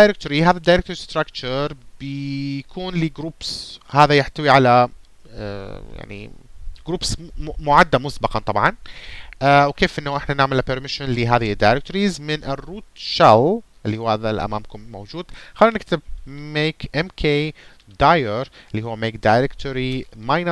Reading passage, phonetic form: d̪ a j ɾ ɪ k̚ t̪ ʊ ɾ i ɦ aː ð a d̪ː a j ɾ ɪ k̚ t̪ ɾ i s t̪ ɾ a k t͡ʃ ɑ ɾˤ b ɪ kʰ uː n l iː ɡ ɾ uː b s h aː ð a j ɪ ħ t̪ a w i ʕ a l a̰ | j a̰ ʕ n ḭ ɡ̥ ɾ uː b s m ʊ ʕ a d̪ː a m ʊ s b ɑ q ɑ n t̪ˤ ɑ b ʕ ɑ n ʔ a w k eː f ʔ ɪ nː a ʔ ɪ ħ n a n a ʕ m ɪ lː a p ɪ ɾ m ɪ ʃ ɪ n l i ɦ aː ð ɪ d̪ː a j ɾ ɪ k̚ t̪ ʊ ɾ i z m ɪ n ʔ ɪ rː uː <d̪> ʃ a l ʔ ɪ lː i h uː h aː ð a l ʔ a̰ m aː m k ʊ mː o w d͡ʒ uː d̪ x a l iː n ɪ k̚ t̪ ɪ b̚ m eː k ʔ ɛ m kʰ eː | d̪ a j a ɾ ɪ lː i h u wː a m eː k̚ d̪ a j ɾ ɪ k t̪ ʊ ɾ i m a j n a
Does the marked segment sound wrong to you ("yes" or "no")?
yes